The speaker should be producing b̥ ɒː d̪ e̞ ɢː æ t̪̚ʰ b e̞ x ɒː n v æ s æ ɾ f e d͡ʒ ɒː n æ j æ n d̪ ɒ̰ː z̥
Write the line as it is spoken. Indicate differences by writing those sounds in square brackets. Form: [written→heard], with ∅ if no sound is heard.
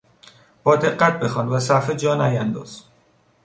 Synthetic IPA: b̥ ɒː d̪ e̞ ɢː æ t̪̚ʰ b e̞ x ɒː n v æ s æ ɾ f e d͡ʒ ɒː n æ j æ n d̪ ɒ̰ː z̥